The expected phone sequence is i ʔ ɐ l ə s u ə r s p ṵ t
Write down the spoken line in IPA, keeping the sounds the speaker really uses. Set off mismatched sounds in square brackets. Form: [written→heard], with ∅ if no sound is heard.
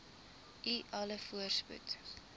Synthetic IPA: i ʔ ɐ l ə [s→f] u ə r s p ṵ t